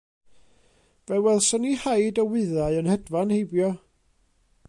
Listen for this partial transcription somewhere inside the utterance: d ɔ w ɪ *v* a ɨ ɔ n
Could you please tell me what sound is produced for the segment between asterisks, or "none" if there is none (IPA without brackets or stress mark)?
ð